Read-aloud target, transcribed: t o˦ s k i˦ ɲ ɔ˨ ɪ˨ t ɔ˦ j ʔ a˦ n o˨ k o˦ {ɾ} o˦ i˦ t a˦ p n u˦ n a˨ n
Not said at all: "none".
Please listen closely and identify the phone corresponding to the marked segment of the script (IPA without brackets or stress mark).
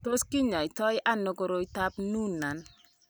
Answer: ɾ